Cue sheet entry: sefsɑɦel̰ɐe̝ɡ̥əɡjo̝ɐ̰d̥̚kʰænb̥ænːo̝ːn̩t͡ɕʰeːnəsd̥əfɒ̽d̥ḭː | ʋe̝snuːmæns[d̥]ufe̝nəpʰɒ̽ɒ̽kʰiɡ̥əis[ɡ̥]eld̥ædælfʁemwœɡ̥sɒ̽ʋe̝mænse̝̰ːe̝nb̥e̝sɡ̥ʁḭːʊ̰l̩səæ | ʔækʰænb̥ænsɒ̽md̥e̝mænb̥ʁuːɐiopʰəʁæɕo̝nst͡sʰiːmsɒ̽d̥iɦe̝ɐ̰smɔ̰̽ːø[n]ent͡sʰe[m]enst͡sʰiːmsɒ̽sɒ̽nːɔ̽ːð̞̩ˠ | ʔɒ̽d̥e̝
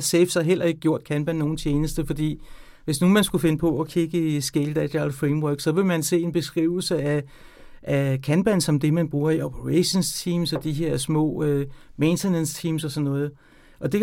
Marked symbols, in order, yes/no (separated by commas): no, yes, no, no